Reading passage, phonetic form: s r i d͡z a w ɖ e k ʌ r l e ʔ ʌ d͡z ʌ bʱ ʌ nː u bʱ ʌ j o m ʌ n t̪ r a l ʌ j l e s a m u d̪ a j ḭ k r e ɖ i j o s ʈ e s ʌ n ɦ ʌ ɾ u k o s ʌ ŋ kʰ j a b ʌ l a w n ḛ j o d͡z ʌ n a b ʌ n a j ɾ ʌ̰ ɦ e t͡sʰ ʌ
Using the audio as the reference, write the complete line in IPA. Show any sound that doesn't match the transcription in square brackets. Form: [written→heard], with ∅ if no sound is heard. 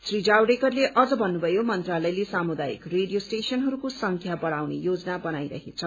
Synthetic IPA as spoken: s r i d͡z a w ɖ e k ʌ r l e ʔ ʌ d͡z ʌ bʱ ʌ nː u bʱ ʌ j o m ʌ n t̪ r a l ʌ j l e s a m u d̪ a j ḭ k r e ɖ i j o s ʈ e s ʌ n ɦ ʌ ɾ u k o s ʌ ŋ kʰ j a b ʌ [l→ɽ] a w n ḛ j o d͡z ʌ n a b ʌ n a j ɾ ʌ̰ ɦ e t͡sʰ ʌ